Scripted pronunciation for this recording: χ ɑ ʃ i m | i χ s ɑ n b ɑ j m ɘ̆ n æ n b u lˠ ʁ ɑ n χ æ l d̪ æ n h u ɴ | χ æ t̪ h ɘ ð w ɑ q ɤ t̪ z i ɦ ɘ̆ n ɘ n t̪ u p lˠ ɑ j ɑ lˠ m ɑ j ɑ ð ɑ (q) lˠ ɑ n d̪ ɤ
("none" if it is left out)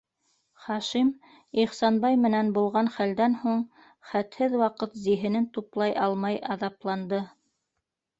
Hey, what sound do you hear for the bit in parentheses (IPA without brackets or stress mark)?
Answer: p